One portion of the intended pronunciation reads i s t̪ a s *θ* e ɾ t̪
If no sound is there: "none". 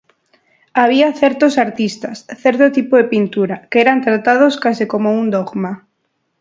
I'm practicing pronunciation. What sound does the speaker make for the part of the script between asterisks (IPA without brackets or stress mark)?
θ